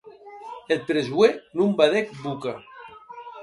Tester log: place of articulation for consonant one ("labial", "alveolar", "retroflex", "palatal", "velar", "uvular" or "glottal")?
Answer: alveolar